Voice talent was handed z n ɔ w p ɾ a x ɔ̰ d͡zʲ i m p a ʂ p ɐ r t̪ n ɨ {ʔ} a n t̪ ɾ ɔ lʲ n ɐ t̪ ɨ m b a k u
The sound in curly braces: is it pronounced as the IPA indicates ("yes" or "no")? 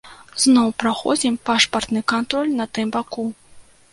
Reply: no